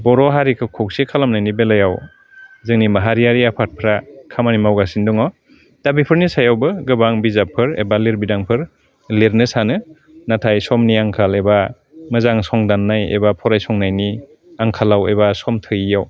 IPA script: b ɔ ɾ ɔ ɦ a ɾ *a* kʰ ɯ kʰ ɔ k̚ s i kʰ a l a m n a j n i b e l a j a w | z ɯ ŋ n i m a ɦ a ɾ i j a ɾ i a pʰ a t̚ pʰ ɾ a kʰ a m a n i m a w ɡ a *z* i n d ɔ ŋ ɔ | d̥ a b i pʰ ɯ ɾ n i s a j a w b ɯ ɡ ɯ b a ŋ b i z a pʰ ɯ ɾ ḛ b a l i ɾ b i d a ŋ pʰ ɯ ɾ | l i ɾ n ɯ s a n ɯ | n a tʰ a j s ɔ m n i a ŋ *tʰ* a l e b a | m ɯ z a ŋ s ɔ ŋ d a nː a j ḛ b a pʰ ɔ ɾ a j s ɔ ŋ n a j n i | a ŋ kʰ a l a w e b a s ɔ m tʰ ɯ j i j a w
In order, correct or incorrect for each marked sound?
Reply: incorrect, incorrect, incorrect

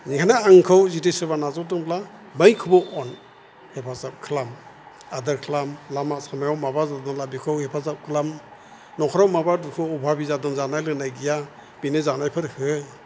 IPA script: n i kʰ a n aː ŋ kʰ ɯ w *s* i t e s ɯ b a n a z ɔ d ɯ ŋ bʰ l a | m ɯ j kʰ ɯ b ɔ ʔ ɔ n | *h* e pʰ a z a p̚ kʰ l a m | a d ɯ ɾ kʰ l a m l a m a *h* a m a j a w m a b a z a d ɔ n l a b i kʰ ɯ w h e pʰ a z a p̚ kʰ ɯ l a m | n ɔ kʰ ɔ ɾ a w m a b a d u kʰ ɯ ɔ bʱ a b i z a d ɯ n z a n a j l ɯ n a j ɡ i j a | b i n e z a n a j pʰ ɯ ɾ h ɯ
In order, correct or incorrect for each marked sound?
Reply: incorrect, correct, incorrect

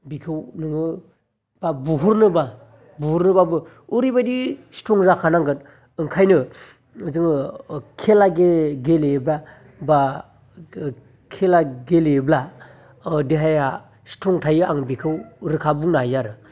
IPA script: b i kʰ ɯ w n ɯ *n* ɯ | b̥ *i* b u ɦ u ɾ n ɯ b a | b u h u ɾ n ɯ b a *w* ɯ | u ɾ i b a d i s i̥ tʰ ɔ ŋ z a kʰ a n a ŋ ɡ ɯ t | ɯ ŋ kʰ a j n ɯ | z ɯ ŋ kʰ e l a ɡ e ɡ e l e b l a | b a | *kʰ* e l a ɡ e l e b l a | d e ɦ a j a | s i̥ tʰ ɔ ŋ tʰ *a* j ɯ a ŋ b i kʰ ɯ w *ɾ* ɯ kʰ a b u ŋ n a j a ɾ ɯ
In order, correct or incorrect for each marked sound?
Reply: incorrect, incorrect, incorrect, correct, correct, correct

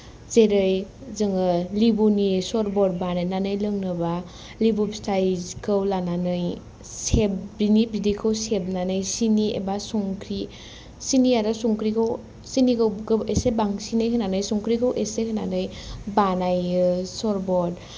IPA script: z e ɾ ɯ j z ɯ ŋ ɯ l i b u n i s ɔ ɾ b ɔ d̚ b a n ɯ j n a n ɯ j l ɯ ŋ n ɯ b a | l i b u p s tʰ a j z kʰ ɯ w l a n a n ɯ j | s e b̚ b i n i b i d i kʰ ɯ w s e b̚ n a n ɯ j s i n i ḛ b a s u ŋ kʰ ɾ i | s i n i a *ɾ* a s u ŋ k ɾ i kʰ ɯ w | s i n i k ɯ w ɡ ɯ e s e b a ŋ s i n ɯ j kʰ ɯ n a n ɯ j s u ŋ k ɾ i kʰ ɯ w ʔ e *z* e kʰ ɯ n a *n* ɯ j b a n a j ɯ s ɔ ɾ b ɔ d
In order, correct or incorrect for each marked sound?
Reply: correct, incorrect, correct

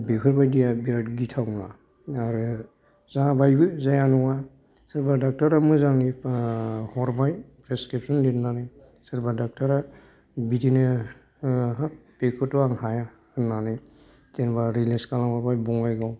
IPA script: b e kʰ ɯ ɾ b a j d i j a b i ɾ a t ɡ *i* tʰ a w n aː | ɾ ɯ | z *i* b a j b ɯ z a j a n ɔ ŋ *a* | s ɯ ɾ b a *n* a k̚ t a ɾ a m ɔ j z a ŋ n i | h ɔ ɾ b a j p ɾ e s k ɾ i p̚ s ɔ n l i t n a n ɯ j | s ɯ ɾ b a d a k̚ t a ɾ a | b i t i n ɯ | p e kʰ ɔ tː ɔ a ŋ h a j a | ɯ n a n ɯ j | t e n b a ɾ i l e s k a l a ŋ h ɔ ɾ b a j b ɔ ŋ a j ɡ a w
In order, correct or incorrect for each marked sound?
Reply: correct, incorrect, correct, incorrect

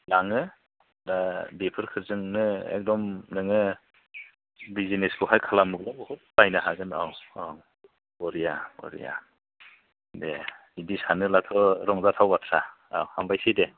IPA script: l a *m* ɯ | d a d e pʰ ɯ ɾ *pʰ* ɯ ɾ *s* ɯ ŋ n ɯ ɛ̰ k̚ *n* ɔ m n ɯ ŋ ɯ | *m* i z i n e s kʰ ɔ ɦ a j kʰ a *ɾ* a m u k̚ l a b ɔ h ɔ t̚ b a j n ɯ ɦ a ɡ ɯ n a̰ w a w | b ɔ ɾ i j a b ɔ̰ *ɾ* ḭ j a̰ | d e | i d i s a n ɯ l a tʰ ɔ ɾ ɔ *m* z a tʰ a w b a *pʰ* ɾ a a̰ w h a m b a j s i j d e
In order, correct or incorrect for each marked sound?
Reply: incorrect, incorrect, incorrect, incorrect, incorrect, incorrect, correct, incorrect, incorrect

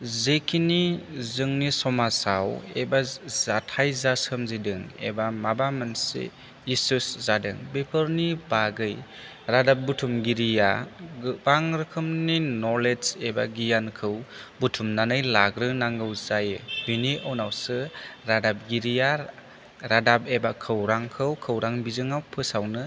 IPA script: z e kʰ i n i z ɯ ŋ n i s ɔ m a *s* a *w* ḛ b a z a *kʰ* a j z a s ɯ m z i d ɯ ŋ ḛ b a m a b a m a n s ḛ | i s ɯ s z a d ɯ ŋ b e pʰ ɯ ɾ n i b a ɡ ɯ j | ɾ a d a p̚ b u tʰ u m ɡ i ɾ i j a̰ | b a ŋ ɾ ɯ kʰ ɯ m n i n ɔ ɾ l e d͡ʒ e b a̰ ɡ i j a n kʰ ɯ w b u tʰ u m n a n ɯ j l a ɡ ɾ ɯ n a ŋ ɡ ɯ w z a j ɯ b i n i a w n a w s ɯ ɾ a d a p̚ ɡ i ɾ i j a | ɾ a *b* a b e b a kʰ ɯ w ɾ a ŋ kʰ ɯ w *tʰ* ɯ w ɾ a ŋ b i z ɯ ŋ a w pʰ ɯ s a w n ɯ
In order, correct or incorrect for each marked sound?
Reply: correct, correct, incorrect, incorrect, incorrect

